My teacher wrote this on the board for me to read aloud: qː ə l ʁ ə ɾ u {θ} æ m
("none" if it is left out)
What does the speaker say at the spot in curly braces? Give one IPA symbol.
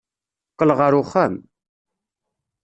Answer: χ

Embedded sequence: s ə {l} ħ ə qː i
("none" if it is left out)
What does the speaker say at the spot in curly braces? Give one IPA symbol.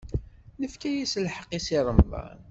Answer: l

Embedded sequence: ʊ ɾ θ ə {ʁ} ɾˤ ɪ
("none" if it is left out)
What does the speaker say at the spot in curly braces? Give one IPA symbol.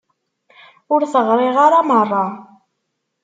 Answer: ʁ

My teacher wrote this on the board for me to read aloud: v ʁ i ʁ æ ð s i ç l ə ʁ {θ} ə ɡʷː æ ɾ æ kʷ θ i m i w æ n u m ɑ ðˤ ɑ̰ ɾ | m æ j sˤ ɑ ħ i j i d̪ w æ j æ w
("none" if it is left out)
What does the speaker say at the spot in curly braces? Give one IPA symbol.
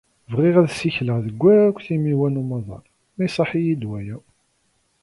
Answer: ð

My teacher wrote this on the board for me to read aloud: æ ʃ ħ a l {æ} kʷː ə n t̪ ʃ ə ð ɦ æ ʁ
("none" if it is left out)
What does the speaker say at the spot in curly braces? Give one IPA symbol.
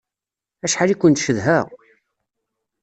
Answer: i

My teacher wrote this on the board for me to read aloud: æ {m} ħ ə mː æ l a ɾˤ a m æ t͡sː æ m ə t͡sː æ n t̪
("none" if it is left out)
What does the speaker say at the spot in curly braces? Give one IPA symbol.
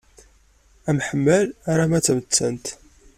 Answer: m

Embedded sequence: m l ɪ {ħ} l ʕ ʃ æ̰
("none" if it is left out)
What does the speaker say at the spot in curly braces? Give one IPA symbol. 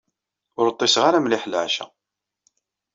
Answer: ħ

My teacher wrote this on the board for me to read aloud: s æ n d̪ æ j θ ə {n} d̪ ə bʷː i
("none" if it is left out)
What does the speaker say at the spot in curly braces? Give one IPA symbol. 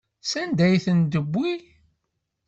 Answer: n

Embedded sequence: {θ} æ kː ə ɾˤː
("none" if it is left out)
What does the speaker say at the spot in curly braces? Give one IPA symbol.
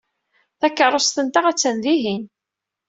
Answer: θ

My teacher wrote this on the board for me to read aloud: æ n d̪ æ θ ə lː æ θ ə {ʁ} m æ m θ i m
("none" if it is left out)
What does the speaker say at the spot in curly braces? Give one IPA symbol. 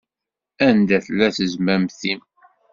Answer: z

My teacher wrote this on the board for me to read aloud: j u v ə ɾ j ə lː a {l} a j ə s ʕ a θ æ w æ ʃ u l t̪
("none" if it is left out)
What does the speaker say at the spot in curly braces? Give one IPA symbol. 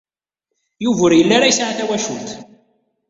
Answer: ɾ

